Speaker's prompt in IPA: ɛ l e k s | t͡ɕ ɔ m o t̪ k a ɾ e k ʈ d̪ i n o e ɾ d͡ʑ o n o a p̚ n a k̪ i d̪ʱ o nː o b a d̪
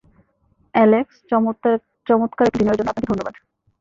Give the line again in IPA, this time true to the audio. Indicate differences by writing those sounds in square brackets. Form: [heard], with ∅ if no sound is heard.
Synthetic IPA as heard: ɛ l e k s | t͡ɕ ɔ m o t̪ k a ɾ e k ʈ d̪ i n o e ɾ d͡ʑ o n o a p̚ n a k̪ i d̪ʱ o nː o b a d̪